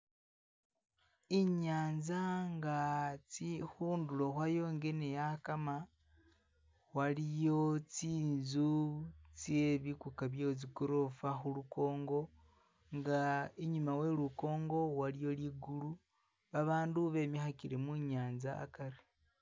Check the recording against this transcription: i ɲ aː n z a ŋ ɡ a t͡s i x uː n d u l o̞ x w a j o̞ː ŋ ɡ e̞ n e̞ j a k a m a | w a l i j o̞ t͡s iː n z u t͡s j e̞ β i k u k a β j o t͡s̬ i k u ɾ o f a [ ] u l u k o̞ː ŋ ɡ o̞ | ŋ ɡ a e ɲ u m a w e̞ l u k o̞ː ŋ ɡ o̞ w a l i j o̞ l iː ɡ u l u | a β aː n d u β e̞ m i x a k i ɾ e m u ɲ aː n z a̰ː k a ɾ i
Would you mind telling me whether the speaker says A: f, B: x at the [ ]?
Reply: B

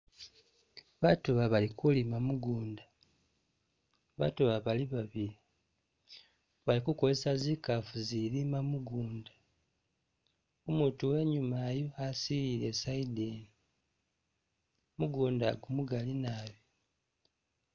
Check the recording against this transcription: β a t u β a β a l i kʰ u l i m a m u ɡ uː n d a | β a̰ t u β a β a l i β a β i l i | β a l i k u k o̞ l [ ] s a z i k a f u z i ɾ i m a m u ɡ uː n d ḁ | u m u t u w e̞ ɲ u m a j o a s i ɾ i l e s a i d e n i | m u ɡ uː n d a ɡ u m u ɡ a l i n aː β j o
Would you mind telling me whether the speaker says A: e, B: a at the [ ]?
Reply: A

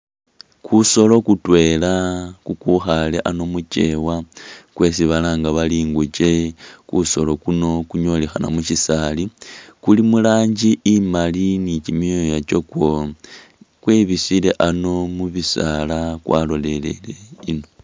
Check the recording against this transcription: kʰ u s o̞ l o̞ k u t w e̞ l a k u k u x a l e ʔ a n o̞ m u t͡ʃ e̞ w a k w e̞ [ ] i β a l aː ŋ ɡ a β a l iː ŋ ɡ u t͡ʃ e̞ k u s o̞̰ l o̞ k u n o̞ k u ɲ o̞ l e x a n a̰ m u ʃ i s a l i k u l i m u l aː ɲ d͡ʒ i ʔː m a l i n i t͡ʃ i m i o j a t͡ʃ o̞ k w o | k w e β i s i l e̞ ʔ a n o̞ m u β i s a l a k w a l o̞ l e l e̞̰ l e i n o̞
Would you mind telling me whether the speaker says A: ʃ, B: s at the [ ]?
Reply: B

